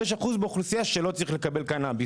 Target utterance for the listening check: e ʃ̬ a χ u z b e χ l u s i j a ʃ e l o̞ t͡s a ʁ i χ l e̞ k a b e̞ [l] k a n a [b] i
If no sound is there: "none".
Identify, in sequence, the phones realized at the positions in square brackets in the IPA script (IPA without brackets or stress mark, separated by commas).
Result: l, b